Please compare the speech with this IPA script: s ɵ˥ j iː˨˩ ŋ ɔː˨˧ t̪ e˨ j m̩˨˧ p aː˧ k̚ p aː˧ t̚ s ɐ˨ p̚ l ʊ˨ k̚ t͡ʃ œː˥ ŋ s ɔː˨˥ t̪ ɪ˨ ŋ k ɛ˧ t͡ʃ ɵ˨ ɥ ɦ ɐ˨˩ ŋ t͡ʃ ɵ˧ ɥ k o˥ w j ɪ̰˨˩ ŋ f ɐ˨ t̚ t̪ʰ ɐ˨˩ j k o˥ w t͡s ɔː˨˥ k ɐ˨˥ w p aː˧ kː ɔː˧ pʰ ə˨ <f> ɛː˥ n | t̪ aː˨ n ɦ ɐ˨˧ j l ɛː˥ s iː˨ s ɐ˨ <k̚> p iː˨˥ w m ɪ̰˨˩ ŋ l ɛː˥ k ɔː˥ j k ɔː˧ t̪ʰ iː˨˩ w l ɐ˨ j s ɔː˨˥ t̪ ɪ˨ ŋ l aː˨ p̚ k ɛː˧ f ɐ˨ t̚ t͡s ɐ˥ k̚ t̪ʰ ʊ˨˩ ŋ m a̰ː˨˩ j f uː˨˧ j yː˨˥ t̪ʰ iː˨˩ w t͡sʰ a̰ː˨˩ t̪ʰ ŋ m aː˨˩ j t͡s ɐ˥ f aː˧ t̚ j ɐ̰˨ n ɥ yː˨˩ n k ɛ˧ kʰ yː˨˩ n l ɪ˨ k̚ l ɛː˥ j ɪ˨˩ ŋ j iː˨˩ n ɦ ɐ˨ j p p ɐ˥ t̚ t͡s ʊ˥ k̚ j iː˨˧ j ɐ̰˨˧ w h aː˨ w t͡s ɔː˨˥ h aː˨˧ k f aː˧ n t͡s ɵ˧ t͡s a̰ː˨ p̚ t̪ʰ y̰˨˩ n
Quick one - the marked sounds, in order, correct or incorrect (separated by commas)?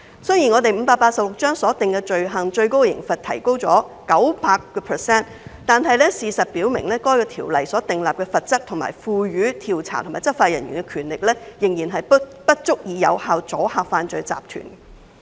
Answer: incorrect, incorrect